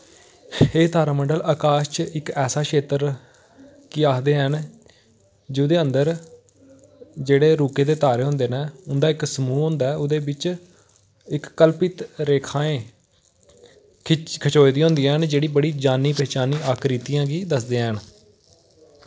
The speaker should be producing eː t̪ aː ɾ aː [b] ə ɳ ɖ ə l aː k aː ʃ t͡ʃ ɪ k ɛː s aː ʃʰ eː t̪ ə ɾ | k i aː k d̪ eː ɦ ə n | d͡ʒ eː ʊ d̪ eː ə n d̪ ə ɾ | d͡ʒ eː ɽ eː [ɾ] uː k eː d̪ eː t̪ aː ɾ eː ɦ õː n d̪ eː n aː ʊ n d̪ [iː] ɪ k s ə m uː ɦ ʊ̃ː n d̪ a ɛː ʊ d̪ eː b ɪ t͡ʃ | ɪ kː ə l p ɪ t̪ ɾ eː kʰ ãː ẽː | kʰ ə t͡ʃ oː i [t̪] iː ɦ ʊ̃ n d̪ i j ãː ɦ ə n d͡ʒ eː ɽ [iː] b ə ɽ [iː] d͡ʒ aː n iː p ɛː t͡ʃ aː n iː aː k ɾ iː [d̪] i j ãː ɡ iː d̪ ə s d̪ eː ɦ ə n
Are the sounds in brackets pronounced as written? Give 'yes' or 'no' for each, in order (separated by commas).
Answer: no, yes, no, no, yes, yes, no